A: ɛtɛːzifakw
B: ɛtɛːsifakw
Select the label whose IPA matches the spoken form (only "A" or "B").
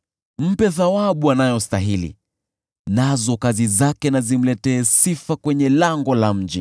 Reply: B